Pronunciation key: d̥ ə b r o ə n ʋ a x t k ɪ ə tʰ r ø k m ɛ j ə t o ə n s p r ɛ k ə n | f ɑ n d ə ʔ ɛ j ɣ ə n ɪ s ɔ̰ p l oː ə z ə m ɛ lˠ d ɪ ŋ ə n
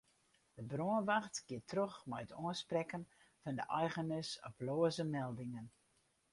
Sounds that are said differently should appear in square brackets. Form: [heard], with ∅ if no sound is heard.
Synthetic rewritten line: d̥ ə b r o ə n ʋ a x t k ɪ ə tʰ r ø [x] m ɛ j ə t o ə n s p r ɛ k ə n | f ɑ n d ə ʔ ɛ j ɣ ə n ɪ s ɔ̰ p l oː ə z ə m ɛ lˠ d ɪ ŋ ə n